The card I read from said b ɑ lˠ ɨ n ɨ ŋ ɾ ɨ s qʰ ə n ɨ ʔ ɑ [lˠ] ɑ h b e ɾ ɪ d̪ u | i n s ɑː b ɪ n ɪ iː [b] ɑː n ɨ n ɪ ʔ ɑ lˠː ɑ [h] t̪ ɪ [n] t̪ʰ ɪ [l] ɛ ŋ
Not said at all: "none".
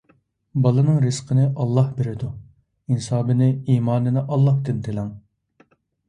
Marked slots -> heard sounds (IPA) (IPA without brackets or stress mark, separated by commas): lˠː, m, h, n, l